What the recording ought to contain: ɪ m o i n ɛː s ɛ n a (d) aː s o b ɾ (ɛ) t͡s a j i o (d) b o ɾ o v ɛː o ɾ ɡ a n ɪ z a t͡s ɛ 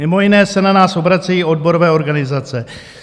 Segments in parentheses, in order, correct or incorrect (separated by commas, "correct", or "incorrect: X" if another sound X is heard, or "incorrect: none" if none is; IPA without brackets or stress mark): incorrect: n, incorrect: a, correct